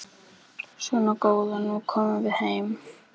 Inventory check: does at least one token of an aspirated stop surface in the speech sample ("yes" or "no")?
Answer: yes